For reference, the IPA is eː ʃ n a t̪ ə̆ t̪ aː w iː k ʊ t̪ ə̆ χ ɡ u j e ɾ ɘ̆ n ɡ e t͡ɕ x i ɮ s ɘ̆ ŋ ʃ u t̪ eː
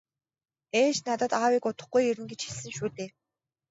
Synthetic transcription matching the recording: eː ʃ n a t̪ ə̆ t̪ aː w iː k ʊ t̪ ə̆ χ ɡ u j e ɾ ɘ̆ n ɡ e t͡ɕ x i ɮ s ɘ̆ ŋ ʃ uː t̪ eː